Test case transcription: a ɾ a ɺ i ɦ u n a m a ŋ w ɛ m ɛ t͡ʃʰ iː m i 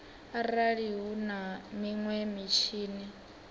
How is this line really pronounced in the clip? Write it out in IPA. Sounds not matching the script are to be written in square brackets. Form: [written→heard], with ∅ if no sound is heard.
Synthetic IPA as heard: a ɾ a ɺ i ɦ u n a m [a→i] ŋ w ɛ m [ɛ→i] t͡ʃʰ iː [m→n] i